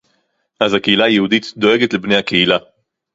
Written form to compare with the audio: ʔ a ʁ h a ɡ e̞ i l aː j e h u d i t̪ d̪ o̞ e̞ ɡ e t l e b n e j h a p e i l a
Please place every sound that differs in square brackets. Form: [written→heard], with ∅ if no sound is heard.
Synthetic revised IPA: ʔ a [ʁ→z] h a [ɡ→k] e̞ i l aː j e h u d i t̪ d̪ o̞ e̞ ɡ e t l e b n e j h a [p→k] e i l a